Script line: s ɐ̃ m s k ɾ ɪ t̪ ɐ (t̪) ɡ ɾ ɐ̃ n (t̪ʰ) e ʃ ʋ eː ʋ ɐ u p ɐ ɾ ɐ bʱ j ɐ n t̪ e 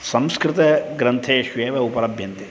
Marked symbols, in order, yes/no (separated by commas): no, yes